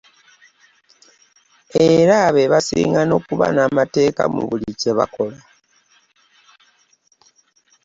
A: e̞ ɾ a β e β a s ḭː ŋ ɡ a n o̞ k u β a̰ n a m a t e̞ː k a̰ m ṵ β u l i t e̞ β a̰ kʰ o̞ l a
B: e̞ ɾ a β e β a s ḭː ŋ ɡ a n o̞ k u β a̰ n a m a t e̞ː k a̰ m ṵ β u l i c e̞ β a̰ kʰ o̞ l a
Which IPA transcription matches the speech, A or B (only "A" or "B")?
B